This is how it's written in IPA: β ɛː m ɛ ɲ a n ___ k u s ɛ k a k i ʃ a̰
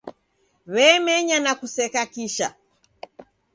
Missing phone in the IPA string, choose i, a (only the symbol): a